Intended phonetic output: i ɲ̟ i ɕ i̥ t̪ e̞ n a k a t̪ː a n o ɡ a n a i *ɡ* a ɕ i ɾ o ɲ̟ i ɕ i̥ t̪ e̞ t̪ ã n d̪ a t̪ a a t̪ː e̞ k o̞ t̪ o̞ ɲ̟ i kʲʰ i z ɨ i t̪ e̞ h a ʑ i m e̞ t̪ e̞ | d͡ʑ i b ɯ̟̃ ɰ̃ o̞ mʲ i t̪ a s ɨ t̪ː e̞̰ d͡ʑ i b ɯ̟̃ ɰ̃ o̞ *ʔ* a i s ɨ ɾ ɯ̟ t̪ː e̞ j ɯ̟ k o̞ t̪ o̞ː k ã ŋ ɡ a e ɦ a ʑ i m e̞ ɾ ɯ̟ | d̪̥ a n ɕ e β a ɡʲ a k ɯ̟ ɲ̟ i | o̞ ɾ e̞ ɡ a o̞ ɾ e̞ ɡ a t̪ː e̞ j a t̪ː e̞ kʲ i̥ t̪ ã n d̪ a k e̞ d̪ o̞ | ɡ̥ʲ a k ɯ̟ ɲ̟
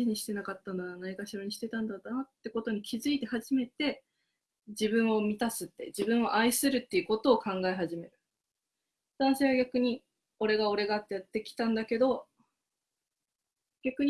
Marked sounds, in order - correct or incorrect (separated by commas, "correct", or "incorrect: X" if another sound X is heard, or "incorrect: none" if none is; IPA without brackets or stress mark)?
incorrect: k, correct